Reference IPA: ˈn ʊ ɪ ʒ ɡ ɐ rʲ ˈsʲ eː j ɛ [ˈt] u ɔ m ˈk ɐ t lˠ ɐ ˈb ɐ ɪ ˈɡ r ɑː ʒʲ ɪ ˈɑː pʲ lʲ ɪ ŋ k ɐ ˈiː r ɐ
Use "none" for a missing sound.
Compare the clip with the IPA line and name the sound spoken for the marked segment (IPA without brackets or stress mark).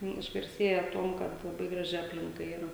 t